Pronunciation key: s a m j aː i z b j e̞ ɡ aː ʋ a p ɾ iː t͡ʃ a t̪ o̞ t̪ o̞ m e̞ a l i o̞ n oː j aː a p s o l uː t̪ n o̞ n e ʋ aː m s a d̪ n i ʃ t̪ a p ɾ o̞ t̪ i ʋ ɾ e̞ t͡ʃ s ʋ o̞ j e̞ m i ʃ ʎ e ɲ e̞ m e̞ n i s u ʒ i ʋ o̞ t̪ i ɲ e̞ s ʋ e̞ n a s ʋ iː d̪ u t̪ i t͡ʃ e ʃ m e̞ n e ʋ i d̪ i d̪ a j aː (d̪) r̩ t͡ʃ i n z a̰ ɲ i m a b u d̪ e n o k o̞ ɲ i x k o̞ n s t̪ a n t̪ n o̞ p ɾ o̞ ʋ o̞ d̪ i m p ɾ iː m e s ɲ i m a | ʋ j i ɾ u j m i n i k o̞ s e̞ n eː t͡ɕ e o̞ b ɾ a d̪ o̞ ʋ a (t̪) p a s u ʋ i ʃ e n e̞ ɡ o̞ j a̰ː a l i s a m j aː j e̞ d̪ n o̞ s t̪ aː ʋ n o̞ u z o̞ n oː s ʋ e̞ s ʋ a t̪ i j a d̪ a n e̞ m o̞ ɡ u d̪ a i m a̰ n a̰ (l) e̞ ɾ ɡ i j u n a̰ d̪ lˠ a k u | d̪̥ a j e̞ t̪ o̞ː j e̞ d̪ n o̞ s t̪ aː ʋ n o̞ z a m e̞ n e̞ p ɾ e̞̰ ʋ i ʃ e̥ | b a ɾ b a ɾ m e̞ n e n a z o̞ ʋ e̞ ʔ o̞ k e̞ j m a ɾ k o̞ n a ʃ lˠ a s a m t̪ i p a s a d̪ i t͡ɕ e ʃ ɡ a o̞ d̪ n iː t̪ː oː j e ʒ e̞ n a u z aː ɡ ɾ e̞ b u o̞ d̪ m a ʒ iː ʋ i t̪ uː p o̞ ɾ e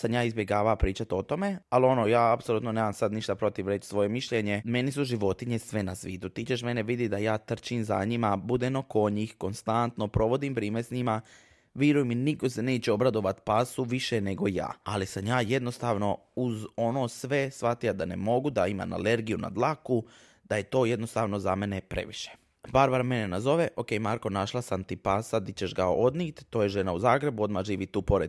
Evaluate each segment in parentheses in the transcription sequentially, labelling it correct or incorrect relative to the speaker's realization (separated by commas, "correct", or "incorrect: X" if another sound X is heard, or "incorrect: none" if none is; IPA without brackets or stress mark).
incorrect: t̪, correct, correct